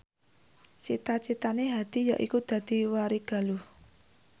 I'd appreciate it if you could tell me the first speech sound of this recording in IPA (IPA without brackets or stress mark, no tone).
t͡ʃ